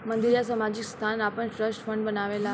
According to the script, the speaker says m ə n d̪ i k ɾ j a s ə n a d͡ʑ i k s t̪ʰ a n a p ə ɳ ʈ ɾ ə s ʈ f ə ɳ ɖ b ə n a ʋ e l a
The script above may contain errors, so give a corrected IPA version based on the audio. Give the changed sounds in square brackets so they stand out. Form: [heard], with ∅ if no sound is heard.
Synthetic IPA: m ə n d̪ i [∅] ɾ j a s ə [m] a d͡ʑ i k s t̪ʰ a n a p ə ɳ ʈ ɾ ə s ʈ f ə ɳ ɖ b ə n a ʋ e l a

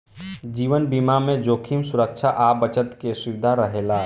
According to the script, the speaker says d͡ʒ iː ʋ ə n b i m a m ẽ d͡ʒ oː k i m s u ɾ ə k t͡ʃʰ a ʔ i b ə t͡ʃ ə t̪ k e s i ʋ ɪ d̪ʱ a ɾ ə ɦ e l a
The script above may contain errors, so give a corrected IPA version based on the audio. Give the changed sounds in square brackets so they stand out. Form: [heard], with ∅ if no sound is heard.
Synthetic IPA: d͡ʒ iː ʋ ə n b i m a m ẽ d͡ʒ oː [kʰ] i m s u ɾ ə k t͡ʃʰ a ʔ [a] b ə t͡ʃ ə t̪ k e s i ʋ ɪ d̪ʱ a ɾ ə ɦ e l a

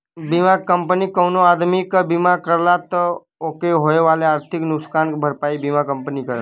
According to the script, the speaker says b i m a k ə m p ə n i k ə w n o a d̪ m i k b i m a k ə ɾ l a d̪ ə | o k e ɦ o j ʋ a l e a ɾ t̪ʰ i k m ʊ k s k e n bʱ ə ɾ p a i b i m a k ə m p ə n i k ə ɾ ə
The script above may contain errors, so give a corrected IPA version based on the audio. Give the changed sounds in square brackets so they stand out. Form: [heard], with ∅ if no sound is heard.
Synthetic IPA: b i m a k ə m p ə n i k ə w n o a d̪ m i k b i m a k ə ɾ l a [t̪] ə | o k e ɦ o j ʋ a l e a ɾ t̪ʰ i k [n] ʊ k s k [a] n bʱ ə ɾ p a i b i m a k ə m p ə n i k ə ɾ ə

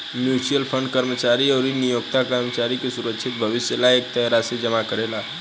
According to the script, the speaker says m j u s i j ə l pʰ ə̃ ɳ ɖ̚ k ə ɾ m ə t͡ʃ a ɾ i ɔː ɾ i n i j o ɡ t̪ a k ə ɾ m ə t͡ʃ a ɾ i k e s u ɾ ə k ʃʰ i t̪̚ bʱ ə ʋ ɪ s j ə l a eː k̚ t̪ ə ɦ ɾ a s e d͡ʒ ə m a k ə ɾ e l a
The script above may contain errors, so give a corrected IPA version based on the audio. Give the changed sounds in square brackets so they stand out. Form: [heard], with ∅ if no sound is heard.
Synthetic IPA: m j u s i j ə l pʰ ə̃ ɳ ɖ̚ k ə ɾ m ə t͡ʃ a ɾ i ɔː ɾ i n i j o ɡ t̪ a k ə ɾ m ə t͡ʃ a ɾ i k e s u ɾ ə k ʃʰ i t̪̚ bʱ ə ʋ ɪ s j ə l a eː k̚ t̪ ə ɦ ɾ a s e d͡ʒ ə m a k ə ɾ e l a

